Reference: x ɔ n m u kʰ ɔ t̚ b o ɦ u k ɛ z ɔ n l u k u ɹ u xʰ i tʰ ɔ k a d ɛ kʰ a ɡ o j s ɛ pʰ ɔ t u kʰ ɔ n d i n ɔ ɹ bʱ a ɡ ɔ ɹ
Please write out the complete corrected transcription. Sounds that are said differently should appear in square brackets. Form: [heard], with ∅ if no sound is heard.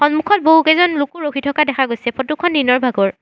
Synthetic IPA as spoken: x ɔ n m u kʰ ɔ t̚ b o ɦ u k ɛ z ɔ n l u k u ɹ [o] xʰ i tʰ ɔ k a d ɛ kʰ a ɡ o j s ɛ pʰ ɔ t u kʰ ɔ n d i n ɔ ɹ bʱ a ɡ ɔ ɹ

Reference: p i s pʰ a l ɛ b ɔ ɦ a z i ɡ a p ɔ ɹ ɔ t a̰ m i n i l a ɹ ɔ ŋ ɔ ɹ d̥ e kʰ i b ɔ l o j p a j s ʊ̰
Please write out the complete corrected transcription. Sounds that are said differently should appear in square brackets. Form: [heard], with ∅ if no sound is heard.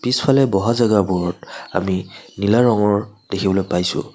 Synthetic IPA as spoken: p i s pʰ a l ɛ b ɔ ɦ a z [a] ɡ a [b] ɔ ɹ ɔ t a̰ m i n i l a ɹ ɔ ŋ ɔ ɹ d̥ e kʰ i b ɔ l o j p a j s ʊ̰

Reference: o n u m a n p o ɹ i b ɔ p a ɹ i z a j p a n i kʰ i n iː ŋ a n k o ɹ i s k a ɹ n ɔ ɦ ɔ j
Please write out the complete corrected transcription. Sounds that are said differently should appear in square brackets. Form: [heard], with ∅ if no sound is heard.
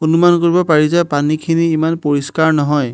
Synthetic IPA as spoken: o n u m a n [k] o ɹ i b ɔ p a ɹ i z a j p a n i kʰ i n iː [m] a n [p] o ɹ i s k a ɹ n ɔ ɦ ɔ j

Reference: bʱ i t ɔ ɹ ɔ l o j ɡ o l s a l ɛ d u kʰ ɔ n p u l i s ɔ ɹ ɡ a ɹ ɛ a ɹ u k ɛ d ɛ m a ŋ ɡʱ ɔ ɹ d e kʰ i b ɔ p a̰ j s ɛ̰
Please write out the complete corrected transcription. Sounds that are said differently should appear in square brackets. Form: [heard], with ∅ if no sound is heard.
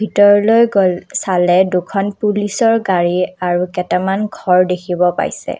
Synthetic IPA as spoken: bʱ i t ɔ ɹ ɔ l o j ɡ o l s a l ɛ d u kʰ ɔ n p u l i s ɔ ɹ ɡ a ɹ [i] a ɹ u k ɛ [t] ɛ m a [n] ɡʱ ɔ ɹ d e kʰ i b ɔ p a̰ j s ɛ̰

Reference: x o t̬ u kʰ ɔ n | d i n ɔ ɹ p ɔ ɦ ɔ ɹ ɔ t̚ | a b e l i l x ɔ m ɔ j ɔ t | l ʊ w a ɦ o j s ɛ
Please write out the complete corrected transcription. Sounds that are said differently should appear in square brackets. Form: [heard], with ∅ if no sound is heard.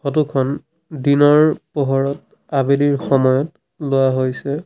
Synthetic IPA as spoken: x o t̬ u kʰ ɔ n | d i n ɔ ɹ p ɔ ɦ ɔ ɹ ɔ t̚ | a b e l i [ɹ] x ɔ m ɔ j ɔ t | l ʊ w a ɦ o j s ɛ

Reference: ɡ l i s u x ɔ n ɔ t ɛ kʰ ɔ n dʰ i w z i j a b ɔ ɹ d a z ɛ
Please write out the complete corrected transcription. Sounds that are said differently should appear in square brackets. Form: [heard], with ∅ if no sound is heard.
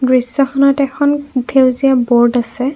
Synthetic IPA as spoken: ɡ [ɹ] i s [ɔ] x ɔ n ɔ t ɛ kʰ ɔ n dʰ [e] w z i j a b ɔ ɹ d a [s] ɛ

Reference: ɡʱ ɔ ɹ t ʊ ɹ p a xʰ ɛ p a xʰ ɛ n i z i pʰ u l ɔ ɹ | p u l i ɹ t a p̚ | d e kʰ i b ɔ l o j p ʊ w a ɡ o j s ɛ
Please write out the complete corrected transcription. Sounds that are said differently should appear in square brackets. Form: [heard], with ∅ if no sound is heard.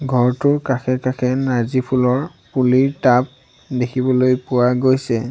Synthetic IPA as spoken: ɡʱ ɔ ɹ t ʊ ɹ [k] a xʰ ɛ [k] a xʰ ɛ n [a] z i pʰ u l ɔ ɹ | p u l i ɹ t a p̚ | d e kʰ i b ɔ l o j p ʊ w a ɡ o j s ɛ

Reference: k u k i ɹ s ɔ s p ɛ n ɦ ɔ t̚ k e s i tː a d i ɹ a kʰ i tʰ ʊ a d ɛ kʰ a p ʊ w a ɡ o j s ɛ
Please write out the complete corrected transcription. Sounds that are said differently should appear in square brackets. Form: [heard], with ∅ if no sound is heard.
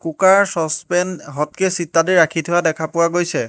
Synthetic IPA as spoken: k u k [a] ɹ s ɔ s p ɛ n ɦ ɔ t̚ k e s i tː a d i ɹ a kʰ i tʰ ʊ a d ɛ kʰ a p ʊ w a ɡ o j s ɛ

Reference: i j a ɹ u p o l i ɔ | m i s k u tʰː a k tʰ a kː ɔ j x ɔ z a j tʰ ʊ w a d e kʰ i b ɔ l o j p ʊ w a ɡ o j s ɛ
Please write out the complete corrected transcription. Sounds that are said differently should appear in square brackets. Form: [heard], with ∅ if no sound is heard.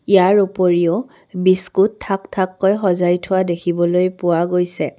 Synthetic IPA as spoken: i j a ɹ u p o [ɹ] i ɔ | [b] i s k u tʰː a k tʰ a kː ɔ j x ɔ z a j tʰ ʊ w a d e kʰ i b ɔ l o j p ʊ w a ɡ o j s ɛ

